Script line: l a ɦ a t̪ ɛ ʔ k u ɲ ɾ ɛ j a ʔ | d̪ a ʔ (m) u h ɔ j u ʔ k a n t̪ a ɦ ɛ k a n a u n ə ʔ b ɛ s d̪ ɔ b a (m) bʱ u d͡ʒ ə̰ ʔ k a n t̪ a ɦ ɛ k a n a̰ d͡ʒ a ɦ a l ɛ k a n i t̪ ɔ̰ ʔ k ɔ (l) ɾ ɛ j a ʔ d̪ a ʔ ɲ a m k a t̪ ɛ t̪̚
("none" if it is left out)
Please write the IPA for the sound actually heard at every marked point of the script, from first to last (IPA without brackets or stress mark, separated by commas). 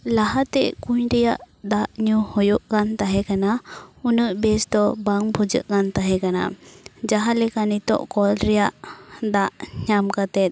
ɲ, ŋ, l